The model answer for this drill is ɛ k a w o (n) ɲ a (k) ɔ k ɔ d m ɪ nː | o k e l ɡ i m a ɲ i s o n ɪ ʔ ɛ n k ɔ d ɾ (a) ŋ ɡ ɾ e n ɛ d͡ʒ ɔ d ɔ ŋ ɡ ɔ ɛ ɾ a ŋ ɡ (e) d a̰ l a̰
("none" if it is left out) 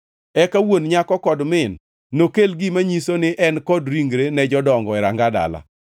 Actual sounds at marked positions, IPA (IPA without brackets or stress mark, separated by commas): n, k, i, a